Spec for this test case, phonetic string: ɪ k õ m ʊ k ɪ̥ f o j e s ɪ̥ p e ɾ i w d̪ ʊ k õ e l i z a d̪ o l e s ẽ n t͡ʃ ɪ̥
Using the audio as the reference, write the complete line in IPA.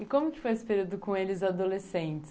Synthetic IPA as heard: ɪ k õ m ʊ k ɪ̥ f o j e s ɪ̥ p e ɾ i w d̪ ʊ k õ e l ɪ z a d̪ o l e s ẽ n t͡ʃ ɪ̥